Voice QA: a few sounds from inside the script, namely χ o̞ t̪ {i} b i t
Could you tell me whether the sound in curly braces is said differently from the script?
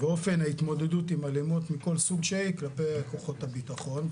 yes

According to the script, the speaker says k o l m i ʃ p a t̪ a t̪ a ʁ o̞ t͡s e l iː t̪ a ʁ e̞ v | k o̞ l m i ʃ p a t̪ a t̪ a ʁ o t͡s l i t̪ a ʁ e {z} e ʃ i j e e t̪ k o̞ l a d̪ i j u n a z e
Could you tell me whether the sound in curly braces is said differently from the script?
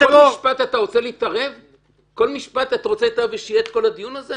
yes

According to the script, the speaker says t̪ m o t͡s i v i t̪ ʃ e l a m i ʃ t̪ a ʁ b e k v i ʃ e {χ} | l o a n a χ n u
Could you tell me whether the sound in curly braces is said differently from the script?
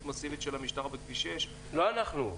yes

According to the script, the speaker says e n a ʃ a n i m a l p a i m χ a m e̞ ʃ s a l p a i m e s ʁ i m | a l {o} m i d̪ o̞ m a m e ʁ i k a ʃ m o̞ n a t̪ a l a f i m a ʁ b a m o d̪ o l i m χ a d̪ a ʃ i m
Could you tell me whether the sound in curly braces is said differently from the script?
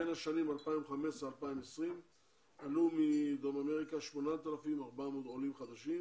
yes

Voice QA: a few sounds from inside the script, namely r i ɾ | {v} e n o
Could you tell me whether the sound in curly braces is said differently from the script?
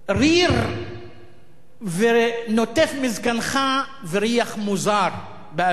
no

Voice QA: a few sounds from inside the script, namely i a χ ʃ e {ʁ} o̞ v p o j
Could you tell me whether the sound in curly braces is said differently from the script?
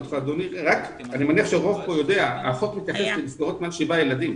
no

